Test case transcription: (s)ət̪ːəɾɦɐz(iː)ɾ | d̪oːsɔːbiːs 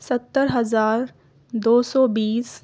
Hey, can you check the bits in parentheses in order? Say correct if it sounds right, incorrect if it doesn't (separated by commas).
correct, incorrect